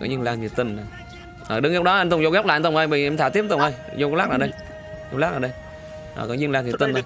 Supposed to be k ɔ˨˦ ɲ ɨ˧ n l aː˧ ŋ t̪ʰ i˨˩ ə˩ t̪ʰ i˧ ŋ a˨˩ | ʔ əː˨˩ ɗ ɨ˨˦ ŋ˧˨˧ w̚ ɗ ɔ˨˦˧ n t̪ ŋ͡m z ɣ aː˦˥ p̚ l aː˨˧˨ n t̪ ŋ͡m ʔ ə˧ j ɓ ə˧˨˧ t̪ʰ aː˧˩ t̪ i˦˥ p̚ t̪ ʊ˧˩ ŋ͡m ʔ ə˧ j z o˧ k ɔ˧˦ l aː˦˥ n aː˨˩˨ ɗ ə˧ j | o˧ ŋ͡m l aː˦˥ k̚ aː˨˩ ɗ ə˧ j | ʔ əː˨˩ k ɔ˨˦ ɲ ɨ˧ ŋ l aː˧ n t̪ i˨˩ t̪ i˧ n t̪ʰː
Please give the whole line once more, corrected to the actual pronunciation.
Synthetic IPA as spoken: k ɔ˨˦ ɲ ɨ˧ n l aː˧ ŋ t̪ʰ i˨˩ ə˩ t̪ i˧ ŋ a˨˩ | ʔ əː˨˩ ɗ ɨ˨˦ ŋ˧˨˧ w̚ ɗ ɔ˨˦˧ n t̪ ŋ͡m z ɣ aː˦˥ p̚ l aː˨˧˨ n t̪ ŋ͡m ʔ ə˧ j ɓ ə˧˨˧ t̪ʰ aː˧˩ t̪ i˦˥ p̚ t̪ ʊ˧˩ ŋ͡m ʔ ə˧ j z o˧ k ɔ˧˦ l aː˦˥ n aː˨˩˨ ɗ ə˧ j | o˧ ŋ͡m l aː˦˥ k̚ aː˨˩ ɗ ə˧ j | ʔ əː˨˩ k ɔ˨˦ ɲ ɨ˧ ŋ l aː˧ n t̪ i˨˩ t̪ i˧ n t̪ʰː